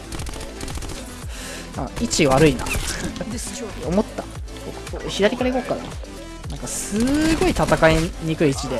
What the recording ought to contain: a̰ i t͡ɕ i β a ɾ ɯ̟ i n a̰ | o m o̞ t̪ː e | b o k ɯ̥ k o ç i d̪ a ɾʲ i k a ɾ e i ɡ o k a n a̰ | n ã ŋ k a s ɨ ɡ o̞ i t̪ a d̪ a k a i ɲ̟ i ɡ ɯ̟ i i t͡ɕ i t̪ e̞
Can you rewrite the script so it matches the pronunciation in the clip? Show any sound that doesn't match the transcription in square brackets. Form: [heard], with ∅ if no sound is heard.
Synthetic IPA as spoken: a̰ i t͡ɕ i β a ɾ ɯ̟ i n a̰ | o m o̞ t̪ː [a] | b o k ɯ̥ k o ç i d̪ a ɾʲ i k a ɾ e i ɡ o k a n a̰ | n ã ŋ k a s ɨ ɡ o̞ i t̪ a [t̪] a k a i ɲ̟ i [k] ɯ̟ i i t͡ɕ i [d̪] e̞